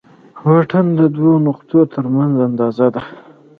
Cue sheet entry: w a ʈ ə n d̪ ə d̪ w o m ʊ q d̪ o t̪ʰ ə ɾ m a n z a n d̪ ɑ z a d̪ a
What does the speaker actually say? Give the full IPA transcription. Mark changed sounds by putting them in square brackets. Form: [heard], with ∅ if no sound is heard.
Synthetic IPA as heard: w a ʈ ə n d̪ ə d̪ w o [n] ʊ q [t̪] o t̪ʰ ə ɾ m a n z a n d̪ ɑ z a d̪ a

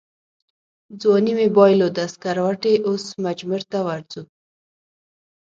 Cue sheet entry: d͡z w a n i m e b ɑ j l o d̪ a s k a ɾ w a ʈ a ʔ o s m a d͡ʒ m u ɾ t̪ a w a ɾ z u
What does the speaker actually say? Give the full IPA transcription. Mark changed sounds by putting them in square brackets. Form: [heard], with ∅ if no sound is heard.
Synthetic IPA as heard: d͡z w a n i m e b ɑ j l o d̪ a s k a ɾ w a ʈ [e] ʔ o s m a d͡ʒ m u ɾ t̪ a w a ɾ z u

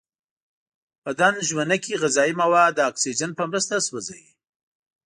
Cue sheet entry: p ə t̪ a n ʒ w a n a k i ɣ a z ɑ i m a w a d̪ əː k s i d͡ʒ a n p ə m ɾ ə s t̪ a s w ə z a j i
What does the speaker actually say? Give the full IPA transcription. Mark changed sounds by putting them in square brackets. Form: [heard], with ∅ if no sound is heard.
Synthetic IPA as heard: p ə [d̪] a n ʒ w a n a k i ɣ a z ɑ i m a w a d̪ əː k s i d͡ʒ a n p ə m ɾ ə s t̪ a s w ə z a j i

